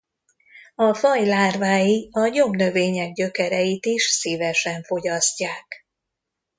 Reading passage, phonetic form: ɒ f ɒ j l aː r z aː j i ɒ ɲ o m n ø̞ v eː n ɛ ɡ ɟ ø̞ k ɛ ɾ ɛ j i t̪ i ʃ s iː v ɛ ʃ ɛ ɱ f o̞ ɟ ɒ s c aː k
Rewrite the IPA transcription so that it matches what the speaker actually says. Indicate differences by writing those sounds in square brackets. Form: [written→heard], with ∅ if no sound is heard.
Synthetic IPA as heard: ɒ f ɒ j l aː r [z→v] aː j i ɒ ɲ o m n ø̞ v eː [n→ɲ] ɛ ɡ ɟ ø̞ k ɛ ɾ ɛ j i t̪ i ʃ s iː v ɛ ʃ ɛ ɱ f o̞ ɟ ɒ s c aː k